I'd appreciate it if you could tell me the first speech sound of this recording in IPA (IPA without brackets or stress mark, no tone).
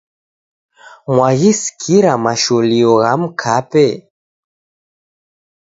m